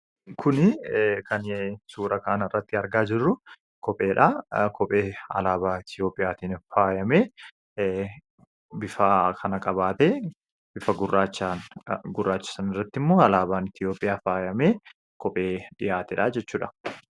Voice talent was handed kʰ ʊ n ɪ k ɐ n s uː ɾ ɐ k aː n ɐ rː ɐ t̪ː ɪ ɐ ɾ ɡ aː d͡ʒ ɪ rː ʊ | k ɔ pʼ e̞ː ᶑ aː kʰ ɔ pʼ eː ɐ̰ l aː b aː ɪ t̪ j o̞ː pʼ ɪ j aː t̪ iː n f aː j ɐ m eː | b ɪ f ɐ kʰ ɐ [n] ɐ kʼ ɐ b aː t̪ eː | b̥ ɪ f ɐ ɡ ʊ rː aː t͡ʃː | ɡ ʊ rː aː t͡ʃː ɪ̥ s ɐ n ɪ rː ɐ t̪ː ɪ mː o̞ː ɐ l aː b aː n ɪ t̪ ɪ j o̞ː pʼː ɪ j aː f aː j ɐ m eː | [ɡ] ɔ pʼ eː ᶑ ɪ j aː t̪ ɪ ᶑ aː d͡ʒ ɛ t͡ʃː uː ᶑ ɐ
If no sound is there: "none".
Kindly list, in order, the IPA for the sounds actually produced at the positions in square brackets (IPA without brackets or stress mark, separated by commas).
n, k